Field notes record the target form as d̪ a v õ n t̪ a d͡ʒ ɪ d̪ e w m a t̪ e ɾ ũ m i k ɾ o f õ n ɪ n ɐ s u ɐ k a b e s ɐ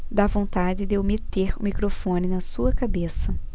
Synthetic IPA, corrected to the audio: d̪ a v õ n t̪ a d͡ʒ ɪ d̪ e w m e t̪ e ɾ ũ m i k ɾ o f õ n ɪ n ɐ s u ɐ k a b e s ɐ